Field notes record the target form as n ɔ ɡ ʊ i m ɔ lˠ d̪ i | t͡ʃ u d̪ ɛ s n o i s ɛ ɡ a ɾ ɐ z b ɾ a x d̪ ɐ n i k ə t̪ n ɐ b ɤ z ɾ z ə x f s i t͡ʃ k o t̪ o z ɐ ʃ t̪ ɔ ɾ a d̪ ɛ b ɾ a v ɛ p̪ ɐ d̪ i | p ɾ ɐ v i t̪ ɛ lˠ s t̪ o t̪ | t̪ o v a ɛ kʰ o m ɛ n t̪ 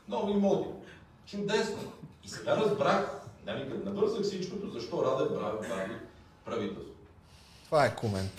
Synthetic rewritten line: n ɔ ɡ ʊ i m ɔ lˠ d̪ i | t͡ʃ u d̪ ɛ s n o i s ɛ ɡ a ɾ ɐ z b ɾ a x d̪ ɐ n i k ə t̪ n ɐ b ɤ ɾ z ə x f s i t͡ʃ k o t̪ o z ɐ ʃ t̪ ɔ ɾ a d̪ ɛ b ɾ a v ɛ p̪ a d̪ i | p ɾ ɐ v i t̪ ɛ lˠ s t̪ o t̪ | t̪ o v a ɛ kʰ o m ɛ n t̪